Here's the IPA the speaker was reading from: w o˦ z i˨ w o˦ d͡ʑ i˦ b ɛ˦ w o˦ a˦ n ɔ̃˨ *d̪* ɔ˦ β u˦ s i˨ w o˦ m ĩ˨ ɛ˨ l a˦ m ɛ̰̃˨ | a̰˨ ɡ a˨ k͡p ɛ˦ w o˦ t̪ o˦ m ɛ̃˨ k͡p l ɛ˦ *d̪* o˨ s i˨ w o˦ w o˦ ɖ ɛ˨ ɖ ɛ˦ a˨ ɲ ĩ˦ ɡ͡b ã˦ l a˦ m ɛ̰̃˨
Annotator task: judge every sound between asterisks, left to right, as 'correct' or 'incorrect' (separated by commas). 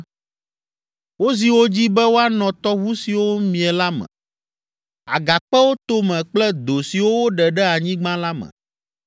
incorrect, correct